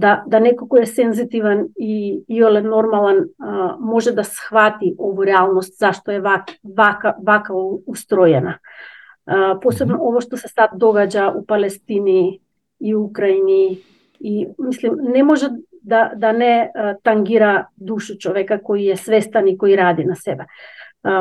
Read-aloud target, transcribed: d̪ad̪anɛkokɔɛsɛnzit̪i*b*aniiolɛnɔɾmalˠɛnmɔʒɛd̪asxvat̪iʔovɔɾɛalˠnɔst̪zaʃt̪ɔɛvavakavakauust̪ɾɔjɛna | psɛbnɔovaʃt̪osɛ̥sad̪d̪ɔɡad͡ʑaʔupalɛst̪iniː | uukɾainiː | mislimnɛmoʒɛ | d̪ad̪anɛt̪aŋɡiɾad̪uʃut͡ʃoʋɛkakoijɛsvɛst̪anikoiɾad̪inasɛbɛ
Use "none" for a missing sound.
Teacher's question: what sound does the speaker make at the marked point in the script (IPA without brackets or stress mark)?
v